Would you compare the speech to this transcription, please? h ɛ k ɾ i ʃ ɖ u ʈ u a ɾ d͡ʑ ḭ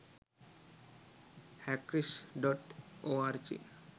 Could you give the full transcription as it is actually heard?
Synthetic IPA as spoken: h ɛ k ɾ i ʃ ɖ ɔ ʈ o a ɾ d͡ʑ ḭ